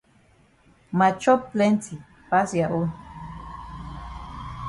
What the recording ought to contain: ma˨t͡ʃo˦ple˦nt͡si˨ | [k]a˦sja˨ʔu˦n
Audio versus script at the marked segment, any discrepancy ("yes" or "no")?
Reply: yes